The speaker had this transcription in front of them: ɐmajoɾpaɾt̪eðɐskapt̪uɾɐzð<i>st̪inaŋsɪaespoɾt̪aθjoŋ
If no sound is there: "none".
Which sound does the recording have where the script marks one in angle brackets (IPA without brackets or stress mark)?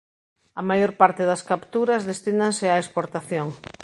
e